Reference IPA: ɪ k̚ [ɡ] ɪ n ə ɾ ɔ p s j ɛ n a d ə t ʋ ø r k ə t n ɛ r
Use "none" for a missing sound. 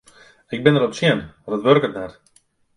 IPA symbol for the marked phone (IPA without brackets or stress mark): b